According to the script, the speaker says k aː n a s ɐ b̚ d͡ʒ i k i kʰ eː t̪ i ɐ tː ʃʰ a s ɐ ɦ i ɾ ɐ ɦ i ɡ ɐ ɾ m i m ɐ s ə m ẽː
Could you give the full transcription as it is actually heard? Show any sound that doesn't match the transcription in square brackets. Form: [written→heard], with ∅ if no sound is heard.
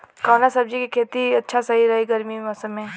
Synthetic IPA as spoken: k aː n a s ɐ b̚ d͡ʒ i k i kʰ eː t̪ i ɐ tː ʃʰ a s ɐ ɦ i ɾ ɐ ɦ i ɡ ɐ ɾ m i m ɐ s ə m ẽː